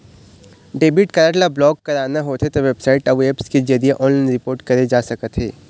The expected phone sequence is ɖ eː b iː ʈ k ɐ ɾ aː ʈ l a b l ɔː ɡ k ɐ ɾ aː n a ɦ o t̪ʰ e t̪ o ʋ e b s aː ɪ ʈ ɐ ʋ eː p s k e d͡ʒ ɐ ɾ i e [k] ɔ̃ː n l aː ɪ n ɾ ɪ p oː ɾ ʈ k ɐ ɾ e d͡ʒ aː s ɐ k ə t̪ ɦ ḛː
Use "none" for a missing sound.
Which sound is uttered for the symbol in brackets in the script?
ʔ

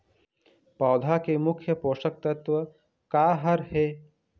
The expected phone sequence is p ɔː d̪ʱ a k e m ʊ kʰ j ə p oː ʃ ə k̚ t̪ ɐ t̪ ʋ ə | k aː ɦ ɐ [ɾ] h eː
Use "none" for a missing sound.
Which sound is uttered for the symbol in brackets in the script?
ɾ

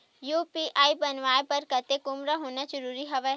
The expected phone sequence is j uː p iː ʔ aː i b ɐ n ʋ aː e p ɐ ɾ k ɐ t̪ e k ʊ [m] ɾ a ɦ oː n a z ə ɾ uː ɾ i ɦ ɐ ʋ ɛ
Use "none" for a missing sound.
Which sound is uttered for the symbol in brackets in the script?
m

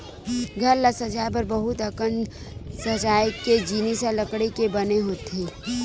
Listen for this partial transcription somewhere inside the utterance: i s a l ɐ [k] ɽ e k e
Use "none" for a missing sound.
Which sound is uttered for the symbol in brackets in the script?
k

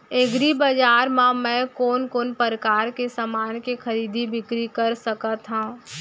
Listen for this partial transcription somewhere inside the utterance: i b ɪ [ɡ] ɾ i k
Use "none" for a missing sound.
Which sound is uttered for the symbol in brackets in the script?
k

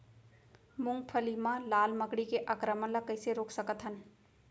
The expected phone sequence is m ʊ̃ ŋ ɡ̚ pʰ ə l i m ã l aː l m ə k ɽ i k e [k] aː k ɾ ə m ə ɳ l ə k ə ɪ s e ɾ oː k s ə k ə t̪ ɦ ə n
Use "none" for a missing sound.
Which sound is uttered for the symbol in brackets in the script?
ʔ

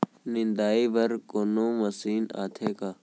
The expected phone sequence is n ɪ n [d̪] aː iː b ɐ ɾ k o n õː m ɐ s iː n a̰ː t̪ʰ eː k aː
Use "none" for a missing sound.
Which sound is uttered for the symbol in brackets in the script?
d̪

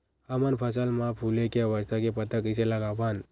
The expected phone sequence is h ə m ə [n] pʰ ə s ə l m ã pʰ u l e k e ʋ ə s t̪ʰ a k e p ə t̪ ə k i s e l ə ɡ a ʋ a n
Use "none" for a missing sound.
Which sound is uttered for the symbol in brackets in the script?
n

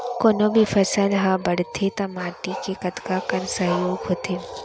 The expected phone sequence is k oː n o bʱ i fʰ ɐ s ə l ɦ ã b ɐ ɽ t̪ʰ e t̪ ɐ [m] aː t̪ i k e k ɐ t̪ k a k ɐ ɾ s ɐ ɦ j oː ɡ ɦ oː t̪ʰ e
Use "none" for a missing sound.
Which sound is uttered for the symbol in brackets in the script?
m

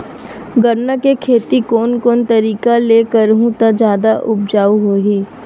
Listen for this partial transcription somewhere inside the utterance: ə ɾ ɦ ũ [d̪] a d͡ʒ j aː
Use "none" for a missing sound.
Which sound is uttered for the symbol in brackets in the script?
t̪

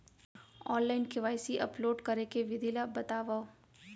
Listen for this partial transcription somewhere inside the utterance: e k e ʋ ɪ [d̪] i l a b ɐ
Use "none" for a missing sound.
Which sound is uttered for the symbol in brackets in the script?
d̪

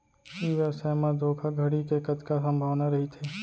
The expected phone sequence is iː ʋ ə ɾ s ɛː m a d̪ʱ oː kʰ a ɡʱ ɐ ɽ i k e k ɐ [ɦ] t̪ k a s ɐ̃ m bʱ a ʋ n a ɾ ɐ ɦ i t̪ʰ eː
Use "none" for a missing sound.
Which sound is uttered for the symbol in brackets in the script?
none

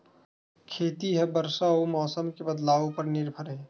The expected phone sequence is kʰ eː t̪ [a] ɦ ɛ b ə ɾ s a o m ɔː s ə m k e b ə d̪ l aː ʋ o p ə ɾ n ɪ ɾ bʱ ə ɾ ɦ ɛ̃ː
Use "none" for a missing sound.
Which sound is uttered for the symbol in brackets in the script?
i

